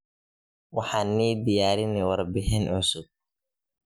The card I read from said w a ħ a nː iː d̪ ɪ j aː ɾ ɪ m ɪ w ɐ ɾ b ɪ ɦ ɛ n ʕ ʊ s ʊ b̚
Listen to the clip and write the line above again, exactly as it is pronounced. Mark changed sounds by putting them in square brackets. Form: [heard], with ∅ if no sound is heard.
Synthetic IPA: w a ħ a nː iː d̪ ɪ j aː ɾ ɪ [n] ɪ w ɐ ɾ b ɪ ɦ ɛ n ʕ ʊ s ʊ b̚